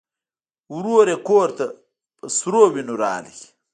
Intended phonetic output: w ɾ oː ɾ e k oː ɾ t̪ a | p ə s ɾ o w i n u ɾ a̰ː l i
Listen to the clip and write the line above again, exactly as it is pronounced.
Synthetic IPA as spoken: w ɾ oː ɾ e k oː ɾ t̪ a | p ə s ɾ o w i n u ɾ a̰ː l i